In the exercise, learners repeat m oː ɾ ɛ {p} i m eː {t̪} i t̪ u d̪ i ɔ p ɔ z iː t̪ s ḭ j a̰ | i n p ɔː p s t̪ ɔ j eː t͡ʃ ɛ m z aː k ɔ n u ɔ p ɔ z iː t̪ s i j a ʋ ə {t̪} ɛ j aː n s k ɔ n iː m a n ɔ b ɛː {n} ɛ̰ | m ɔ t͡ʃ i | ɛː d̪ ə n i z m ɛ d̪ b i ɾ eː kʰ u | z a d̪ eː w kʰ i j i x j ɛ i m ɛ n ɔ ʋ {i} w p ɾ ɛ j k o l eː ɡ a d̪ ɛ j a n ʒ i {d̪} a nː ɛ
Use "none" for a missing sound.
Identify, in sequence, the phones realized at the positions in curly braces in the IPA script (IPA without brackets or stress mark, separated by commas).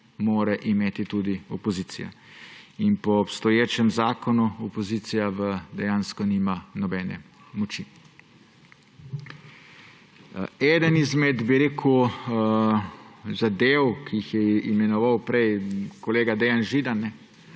ʔ, t̪, d̪, n, a, d̪